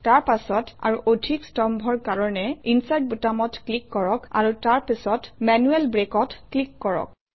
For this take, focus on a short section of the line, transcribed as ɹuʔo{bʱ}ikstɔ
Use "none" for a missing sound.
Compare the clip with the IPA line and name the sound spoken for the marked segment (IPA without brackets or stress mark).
dʱ